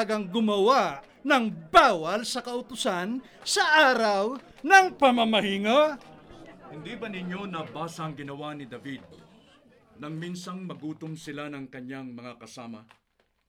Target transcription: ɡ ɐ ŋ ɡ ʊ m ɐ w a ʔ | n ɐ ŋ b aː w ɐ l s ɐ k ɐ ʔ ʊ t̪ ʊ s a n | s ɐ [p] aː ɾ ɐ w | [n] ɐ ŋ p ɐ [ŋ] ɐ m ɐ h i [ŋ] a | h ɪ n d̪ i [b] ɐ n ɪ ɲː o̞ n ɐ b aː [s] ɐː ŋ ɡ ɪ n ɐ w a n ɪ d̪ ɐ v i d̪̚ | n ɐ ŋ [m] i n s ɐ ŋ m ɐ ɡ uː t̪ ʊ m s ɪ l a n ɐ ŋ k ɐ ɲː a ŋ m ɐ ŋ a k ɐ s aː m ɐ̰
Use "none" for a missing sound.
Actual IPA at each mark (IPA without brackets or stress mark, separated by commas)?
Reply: ʔ, n, m, ŋ, b, s, m